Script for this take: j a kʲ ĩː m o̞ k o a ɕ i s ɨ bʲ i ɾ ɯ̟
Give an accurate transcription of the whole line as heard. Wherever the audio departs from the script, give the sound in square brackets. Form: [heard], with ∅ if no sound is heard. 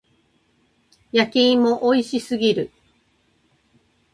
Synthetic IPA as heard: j a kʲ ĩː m o̞ [ʔ] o [i] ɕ i s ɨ [ɡʲ] i ɾ ɯ̟

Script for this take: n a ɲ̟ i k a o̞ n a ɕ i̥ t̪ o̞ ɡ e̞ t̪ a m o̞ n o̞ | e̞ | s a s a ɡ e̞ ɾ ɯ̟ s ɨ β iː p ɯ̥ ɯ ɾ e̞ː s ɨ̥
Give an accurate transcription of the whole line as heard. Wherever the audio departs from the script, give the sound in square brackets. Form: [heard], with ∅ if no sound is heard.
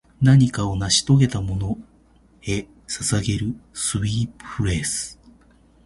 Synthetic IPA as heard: n a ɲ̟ i k a o̞ n a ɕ i̥ t̪ o̞ ɡ e̞ t̪ a m o̞ n o̞ | e̞ | s a s a ɡ e̞ ɾ ɯ̟ s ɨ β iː p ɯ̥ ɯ ɾ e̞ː s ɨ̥

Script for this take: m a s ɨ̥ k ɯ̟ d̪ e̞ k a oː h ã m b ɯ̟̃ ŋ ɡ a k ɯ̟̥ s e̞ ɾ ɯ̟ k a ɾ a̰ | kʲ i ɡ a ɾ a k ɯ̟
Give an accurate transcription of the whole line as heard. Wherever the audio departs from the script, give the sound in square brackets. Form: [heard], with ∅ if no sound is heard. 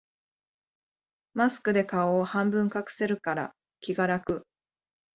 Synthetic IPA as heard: m a s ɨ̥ k ɯ̟ d̪ e̞ k a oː h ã m b ɯ̟̃ ŋ [k] a k ɯ̟̥ s e̞ ɾ ɯ̟ k a ɾ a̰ | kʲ i ɡ a ɾ a k ɯ̟

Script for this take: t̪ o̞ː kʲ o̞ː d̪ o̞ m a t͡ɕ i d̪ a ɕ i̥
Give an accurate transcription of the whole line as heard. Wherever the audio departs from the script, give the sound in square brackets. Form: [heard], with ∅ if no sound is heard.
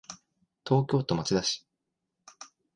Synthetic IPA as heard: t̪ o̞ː kʲ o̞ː [t̪] o̞ m a t͡ɕ i d̪ a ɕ i̥

